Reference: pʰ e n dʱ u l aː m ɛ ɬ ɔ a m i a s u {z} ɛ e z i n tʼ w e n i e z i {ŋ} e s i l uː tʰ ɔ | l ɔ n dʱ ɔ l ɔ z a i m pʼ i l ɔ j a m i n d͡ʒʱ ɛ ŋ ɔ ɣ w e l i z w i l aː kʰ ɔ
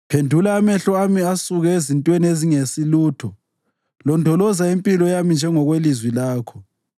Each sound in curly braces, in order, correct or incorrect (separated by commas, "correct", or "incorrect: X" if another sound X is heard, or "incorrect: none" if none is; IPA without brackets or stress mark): incorrect: ɣ, correct